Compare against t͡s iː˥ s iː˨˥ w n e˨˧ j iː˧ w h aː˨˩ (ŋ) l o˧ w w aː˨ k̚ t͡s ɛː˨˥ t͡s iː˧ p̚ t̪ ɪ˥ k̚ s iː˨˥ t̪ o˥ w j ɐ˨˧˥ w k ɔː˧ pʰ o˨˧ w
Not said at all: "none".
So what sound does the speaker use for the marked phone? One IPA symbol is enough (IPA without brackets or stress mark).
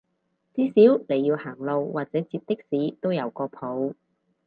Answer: ŋ